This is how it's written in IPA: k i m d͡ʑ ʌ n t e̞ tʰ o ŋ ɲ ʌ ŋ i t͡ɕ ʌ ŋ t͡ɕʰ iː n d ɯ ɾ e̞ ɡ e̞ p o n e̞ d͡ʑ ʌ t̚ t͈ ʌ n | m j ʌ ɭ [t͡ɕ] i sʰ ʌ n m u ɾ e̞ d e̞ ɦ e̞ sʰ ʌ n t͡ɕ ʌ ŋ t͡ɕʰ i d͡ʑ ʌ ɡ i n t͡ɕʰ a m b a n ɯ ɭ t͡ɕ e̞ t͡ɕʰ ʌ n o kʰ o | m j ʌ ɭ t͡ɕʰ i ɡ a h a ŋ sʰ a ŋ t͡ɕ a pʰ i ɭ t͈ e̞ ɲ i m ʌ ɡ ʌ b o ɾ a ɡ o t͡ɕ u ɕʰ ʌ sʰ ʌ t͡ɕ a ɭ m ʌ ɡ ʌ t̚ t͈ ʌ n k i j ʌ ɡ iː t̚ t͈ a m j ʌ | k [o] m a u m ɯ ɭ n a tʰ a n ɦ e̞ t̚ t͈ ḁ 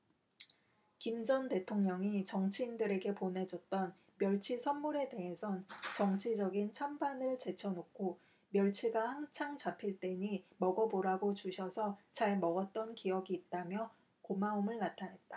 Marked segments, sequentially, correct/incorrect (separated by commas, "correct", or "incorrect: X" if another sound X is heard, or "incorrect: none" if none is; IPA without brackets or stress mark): incorrect: t͡ɕʰ, correct